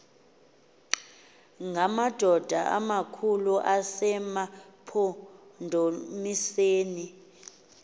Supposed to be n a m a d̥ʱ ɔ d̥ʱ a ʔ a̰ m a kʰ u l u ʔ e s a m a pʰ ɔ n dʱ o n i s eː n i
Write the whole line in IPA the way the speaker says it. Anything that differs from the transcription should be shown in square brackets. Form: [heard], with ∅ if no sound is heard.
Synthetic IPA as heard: [ŋ] a m a d̥ʱ ɔ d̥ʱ a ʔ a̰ m a kʰ u l u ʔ [a] s [ɛ] m a pʰ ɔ n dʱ o [m] i s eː n i